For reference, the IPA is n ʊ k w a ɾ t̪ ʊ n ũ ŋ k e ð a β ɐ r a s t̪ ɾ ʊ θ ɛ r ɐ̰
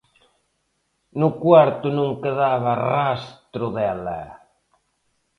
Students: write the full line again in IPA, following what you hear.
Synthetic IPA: n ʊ k w a ɾ t̪ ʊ n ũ ŋ k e ð a β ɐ r a s t̪ ɾ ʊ ð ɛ l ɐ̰